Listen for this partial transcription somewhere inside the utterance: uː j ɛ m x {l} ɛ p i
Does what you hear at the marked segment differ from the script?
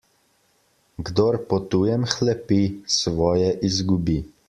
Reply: no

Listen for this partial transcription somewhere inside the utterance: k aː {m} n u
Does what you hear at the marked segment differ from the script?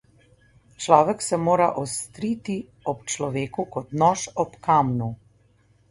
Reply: no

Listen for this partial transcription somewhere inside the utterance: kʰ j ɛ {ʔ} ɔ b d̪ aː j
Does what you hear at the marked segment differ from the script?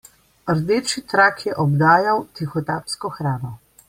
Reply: no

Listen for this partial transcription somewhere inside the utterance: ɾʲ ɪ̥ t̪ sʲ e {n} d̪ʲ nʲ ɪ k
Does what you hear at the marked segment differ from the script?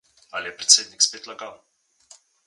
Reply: yes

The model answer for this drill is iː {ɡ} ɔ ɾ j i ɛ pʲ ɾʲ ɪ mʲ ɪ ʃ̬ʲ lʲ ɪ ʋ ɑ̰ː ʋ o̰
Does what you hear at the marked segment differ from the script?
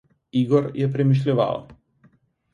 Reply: no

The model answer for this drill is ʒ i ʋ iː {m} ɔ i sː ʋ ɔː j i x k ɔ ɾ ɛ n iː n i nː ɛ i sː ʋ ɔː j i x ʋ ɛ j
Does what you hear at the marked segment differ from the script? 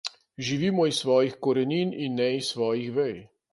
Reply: no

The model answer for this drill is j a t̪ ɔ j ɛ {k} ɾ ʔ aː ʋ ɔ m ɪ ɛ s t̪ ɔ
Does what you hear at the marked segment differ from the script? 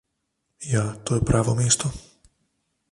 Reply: yes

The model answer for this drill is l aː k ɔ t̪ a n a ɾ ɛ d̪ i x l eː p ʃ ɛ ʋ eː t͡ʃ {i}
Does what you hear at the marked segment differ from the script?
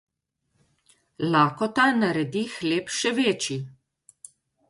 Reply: no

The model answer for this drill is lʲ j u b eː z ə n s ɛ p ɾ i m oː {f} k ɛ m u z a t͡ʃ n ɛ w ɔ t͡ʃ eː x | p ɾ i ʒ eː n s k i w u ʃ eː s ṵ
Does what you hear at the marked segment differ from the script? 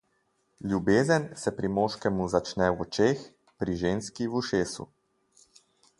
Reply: yes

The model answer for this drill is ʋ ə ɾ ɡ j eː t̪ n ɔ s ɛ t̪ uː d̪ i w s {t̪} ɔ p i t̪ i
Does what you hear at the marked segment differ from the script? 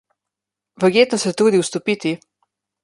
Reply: no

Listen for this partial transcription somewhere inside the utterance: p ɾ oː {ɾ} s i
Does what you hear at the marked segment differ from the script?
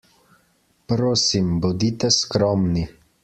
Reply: yes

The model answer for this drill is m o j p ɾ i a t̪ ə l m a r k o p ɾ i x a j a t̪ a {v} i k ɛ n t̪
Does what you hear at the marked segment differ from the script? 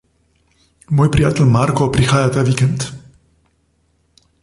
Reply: no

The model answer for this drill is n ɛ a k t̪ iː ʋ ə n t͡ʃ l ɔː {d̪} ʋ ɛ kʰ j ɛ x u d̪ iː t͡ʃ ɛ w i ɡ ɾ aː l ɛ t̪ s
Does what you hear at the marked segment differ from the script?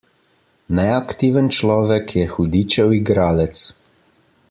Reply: yes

